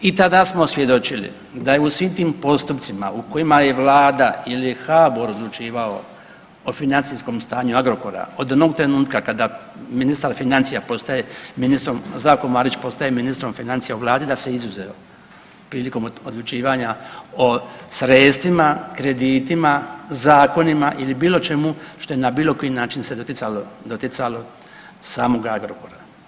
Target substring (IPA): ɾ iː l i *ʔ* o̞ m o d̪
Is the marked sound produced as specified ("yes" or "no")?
no